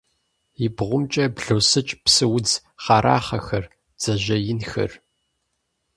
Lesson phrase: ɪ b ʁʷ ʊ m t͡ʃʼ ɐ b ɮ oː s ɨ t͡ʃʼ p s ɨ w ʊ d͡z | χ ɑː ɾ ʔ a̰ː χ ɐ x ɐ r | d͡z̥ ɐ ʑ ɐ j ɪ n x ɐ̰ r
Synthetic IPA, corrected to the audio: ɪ b ʁʷ ʊ m t͡ʃʼ ɐ b ɮ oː s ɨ t͡ʃʼ p s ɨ w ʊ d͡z | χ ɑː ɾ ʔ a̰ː χ ɐ x ɐ r | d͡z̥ ɐ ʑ ɐ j ɪ n x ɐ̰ r